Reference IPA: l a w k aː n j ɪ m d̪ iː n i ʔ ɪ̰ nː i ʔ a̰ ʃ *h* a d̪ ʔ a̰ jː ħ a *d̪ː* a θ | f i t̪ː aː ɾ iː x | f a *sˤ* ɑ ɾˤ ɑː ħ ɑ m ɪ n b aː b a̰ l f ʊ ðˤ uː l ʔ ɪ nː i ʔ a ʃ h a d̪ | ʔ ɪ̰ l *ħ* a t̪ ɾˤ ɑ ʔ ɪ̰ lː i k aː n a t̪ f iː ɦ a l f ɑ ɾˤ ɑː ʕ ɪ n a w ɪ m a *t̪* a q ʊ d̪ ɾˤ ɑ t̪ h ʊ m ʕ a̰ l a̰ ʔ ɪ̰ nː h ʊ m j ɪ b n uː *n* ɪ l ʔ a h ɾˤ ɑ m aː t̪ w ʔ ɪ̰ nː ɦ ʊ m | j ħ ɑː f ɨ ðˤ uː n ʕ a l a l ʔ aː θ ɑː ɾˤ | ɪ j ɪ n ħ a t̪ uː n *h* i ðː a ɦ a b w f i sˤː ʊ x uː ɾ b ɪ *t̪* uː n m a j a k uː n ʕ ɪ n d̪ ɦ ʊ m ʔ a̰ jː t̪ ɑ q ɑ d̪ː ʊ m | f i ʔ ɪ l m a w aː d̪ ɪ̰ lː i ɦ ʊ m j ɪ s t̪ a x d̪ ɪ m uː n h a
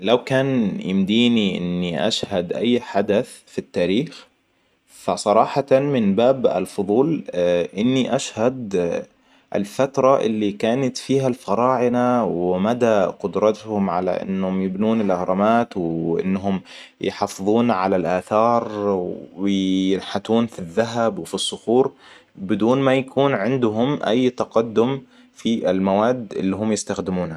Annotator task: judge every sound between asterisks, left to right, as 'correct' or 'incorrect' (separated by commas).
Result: correct, incorrect, correct, incorrect, incorrect, correct, incorrect, incorrect